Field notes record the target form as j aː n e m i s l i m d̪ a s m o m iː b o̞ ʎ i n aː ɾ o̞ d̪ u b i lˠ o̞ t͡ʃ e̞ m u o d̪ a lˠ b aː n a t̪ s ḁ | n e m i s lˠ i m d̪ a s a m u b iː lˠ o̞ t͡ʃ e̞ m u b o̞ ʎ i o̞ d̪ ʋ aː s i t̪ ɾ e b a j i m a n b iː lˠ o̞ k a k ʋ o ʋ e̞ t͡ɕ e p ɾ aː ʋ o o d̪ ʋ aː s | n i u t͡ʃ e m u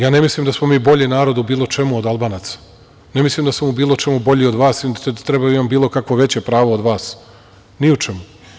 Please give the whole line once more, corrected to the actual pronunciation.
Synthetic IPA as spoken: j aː n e m i s l i m d̪ a s m o m iː b o̞ ʎ i n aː ɾ o̞ d̪ u b iː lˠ o̞ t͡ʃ e̞ m u o d̪ a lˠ b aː n a t̪ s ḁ | n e m i s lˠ i m d̪ a s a m u b iː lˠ o̞ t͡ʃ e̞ m u b o̞ ʎ i o̞ d̪ ʋ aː s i t̪ ɾ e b a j i m a m b iː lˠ o̞ k a k ʋ o ʋ e̞ t͡ɕ e p ɾ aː ʋ o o d̪ ʋ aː s | n i u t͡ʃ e m u